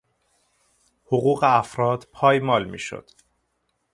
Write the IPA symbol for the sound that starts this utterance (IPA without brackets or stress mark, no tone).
h